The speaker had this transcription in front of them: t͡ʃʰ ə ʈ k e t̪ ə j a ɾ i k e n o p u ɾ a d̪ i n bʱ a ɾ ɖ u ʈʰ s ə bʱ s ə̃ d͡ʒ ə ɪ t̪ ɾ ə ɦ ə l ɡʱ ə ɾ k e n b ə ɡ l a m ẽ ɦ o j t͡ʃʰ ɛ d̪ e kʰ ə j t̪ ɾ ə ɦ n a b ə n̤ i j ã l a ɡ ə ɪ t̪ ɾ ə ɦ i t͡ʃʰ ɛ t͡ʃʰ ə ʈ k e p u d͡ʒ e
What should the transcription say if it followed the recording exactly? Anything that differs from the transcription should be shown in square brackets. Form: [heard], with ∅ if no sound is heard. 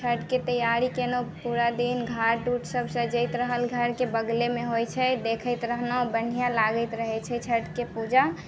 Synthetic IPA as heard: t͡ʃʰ ə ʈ k e t̪ ə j a ɾ i k e n o p u ɾ a d̪ i n [ɡʱ] a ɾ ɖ u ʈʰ s ə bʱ s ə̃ d͡ʒ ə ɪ t̪ ɾ ə ɦ ə l ɡʱ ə ɾ k e [∅] b ə ɡ l [e] m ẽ ɦ o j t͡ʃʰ ɛ d̪ e kʰ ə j t̪ ɾ ə ɦ n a b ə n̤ i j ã l a ɡ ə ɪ t̪ ɾ ə ɦ [ɛ] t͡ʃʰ ɛ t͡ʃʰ ə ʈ k e p u d͡ʒ [a]